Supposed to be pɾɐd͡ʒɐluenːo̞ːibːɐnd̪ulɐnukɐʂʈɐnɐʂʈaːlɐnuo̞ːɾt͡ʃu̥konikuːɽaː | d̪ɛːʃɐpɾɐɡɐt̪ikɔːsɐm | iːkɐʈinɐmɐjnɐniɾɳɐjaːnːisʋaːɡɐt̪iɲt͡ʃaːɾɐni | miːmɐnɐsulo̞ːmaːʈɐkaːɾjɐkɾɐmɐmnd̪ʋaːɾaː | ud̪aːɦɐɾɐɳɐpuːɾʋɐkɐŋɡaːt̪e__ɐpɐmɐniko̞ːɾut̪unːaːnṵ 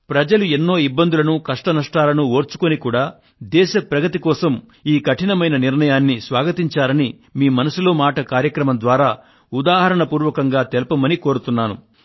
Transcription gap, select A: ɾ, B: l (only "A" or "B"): B